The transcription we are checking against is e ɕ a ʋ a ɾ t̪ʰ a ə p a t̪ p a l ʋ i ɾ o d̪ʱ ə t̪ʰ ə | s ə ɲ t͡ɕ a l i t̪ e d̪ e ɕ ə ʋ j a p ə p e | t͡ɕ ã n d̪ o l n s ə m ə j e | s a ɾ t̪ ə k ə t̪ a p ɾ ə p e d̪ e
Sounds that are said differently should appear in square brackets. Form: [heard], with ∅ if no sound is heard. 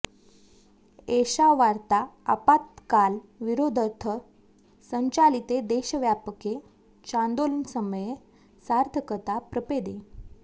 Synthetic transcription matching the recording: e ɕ a ʋ a ɾ [t̪] a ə p a t̪ [k] a l ʋ i ɾ o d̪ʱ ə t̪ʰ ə | s ə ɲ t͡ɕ a l i t̪ e d̪ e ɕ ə ʋ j a p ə [k] e | t͡ɕ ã n d̪ o l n s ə m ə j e | s a ɾ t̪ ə k ə t̪ a p ɾ ə p e d̪ e

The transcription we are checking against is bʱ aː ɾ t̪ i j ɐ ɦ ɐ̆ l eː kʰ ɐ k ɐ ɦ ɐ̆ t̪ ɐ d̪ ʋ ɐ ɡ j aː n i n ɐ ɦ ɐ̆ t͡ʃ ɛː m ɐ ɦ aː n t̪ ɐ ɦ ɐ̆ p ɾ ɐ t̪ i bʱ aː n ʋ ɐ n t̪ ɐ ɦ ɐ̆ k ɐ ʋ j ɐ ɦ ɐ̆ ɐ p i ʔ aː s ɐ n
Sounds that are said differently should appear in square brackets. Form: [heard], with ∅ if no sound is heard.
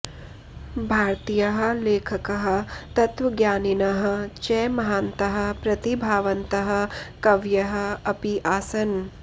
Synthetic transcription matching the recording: bʱ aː ɾ t̪ i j ɐ ɦ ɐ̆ l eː kʰ ɐ k ɐ ɦ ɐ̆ t̪ ɐ [t̪] ʋ ɐ ɡ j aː n i n ɐ ɦ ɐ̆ t͡ʃ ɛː m ɐ ɦ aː n t̪ ɐ ɦ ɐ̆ p ɾ ɐ t̪ i bʱ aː [∅] ʋ ɐ n t̪ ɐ ɦ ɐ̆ k ɐ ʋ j ɐ ɦ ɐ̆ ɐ p i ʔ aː s ɐ n

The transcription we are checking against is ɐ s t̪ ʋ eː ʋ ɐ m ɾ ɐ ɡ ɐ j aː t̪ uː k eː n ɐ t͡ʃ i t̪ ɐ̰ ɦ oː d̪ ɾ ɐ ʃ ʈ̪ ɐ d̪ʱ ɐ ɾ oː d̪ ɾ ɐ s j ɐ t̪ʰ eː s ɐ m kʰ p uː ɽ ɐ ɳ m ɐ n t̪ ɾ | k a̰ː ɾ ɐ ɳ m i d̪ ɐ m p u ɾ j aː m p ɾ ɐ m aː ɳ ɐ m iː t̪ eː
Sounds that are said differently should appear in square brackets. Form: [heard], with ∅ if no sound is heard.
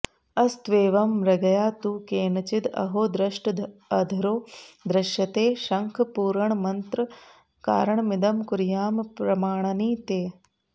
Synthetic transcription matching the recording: ɐ s t̪ ʋ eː ʋ ɐ m ɾ ɐ ɡ ɐ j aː t̪ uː k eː n ɐ t͡ʃ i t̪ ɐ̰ ɦ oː d̪ ɾ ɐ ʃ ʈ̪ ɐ d̪ʱ ɐ ɾ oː d̪ ɾ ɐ [ʃ] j ɐ [t̪] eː [ʃ] ɐ [ŋ] kʰ p uː [ɾ] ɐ ɳ m ɐ n t̪ ɾ | k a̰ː ɾ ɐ ɳ m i d̪ ɐ m [k] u ɾ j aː m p ɾ ɐ m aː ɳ ɐ [n] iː t̪ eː

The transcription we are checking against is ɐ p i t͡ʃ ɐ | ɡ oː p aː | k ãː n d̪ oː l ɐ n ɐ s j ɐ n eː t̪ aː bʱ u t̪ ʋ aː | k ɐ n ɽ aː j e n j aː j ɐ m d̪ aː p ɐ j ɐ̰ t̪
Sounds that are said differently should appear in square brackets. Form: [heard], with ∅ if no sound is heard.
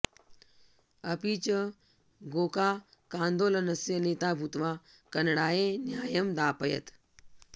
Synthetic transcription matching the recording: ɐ p i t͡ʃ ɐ | ɡ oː [k] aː | k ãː n d̪ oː l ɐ n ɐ s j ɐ n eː t̪ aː bʱ u t̪ ʋ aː | k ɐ n ɽ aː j e n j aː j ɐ m d̪ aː p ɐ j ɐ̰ t̪

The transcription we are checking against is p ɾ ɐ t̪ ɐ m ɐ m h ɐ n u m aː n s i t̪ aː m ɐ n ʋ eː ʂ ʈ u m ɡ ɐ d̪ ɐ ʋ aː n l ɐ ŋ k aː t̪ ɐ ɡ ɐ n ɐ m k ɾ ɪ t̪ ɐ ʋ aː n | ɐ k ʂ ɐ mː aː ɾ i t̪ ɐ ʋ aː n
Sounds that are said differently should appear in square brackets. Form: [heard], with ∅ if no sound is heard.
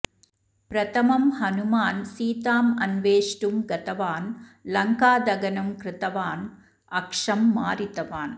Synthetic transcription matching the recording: p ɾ ɐ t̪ ɐ m ɐ m h ɐ n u m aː n s [iː] t̪ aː m ɐ n ʋ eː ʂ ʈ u m ɡ ɐ [t̪] ɐ ʋ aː n l ɐ ŋ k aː [d̪] ɐ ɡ ɐ n ɐ m k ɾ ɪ t̪ ɐ ʋ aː n | ɐ k ʂ ɐ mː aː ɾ i t̪ ɐ ʋ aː n

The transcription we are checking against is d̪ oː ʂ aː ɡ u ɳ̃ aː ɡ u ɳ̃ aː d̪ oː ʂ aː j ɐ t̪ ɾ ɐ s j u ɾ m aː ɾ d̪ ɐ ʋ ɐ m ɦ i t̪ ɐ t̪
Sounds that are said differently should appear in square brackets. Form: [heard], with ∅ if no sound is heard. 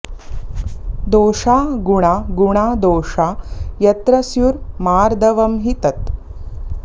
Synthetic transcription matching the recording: d̪ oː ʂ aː ɡ u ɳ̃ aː ɡ u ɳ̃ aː d̪ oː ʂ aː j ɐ t̪ ɾ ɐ s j u ɾ m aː ɾ d̪ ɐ ʋ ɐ m ɦ i t̪ ɐ t̪

